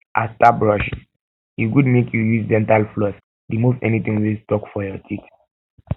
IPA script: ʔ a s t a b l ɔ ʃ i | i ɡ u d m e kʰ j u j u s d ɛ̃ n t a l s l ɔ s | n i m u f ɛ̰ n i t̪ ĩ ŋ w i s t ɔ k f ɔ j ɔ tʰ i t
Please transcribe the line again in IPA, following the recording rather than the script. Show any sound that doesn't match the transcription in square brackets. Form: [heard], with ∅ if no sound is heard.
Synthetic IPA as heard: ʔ a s t a b [ɹ] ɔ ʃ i | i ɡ u d m e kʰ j u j u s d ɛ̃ n t a l [f] l ɔ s | [d] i m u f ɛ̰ n i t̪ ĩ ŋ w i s t ɔ k f ɔ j ɔ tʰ i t